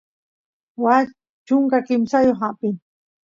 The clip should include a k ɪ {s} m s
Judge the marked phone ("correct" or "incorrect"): incorrect